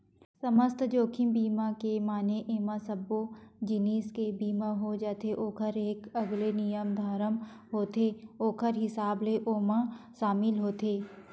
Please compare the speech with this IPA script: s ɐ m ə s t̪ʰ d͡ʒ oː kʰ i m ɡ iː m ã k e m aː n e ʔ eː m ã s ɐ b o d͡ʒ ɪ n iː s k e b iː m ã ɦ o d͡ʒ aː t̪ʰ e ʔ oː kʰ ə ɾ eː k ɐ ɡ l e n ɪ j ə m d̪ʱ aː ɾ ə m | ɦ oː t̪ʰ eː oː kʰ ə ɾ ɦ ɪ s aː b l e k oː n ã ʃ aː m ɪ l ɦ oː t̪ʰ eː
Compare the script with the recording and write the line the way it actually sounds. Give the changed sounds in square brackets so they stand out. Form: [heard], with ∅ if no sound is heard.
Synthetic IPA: s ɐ m ə s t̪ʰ d͡ʒ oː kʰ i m [b] iː m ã k e m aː n e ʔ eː m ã s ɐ b o d͡ʒ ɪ n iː s k e b iː m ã ɦ o d͡ʒ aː t̪ʰ e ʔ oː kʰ ə ɾ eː k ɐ ɡ l e n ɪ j ə m d̪ʱ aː ɾ ə m | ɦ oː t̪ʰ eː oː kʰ ə ɾ ɦ ɪ s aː b l e [ʔ] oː [m] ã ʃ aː m ɪ l ɦ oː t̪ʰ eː

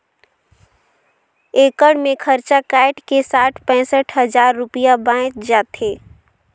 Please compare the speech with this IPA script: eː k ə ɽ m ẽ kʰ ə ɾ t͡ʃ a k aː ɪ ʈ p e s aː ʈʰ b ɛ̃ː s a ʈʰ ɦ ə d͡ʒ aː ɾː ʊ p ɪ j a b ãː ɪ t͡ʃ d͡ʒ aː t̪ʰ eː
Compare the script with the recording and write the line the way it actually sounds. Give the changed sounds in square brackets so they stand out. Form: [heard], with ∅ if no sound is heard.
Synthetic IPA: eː k ə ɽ m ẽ kʰ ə ɾ t͡ʃ a k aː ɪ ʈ [k] e s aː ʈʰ [p] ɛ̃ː s [ə] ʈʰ ɦ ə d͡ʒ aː ɾː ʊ p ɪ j a b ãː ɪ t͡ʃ d͡ʒ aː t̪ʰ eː

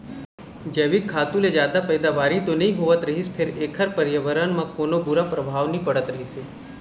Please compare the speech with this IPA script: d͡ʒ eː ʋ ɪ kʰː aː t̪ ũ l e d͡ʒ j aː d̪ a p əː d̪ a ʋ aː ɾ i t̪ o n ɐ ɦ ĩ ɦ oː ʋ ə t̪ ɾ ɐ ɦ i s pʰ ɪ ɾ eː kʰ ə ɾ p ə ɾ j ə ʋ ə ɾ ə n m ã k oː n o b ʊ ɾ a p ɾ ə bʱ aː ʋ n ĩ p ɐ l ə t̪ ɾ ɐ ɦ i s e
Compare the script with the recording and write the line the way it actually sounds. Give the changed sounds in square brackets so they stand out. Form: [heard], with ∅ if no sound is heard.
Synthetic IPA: d͡ʒ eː ʋ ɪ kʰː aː t̪ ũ l e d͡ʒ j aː d̪ a p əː d̪ a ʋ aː ɾ i t̪ o n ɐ ɦ ĩ ɦ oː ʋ ə t̪ ɾ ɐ ɦ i s pʰ ɪ ɾ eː kʰ ə ɾ p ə ɾ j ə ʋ ə ɾ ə n m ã k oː n o b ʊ ɾ a p ɾ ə bʱ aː ʋ n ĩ p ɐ [ɽ] ə t̪ ɾ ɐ ɦ i s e

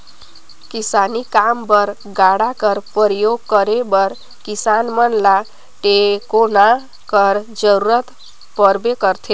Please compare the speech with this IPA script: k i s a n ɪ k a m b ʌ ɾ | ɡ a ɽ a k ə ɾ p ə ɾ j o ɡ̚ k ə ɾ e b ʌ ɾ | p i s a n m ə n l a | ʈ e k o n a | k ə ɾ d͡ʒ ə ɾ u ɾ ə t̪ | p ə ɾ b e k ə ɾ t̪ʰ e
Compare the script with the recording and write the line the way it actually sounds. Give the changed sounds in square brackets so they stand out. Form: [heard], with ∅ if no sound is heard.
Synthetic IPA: k i s a n [i] k a m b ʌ ɾ | ɡ a ɽ a k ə ɾ p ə ɾ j o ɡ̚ k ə ɾ e b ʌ ɾ | [k] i s a n m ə n l a | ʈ e k o n a | k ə ɾ d͡ʒ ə ɾ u ɾ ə t̪ | p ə ɾ b e k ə ɾ t̪ʰ e

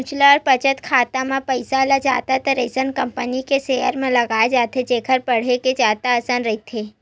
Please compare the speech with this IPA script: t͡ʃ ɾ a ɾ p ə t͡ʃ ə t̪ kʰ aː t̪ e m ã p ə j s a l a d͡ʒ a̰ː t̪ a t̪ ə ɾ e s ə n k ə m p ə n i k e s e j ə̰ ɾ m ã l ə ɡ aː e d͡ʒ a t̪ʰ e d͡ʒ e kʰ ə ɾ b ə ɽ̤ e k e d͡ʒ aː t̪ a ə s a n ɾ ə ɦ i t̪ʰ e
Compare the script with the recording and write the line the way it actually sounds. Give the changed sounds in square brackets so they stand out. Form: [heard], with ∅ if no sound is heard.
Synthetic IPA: t͡ʃ [l] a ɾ p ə t͡ʃ ə t̪ kʰ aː t̪ [a] m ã p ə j s a l a d͡ʒ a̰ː t̪ a t̪ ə ɾ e s ə n k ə m p ə n i k e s e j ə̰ ɾ m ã l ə ɡ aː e d͡ʒ a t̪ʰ e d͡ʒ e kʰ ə ɾ [p] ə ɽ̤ e k e d͡ʒ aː t̪ a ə s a n ɾ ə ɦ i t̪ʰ e

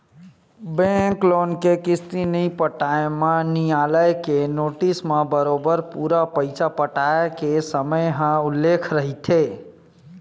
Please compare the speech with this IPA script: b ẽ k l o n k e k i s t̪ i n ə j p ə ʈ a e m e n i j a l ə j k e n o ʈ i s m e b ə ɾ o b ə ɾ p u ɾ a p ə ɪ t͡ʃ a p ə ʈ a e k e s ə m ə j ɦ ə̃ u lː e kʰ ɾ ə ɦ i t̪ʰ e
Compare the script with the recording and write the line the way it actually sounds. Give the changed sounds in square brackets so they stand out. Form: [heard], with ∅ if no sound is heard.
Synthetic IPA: b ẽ k l o n k e k i s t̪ i n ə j p ə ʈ a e m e n i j a l ə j k e n o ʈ i s m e b ə ɾ o b ə ɾ p u ɾ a p ə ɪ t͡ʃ a p ə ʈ a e k e s ə m ə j ɦ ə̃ u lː e kʰ ɾ ə ɦ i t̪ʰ e

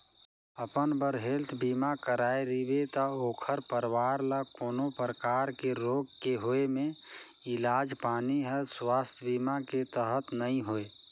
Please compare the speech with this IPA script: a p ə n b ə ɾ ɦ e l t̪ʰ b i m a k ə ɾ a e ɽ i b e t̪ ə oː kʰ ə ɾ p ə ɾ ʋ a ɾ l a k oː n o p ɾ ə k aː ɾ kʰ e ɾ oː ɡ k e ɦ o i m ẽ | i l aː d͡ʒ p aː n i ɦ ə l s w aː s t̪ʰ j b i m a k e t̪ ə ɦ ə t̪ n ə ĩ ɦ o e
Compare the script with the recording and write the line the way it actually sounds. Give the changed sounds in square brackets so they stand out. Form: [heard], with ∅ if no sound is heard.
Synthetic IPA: [ə] p ə n b ə ɾ ɦ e l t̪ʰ b i m a k ə ɾ a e [ɾ] i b e t̪ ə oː kʰ ə ɾ p ə ɾ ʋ a ɾ l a k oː n o p ɾ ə k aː ɾ [k] e ɾ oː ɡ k e ɦ o [e] m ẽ | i l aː d͡ʒ p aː n i ɦ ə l s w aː s t̪ʰ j b i m a k e t̪ ə ɦ ə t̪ n ə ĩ ɦ o e

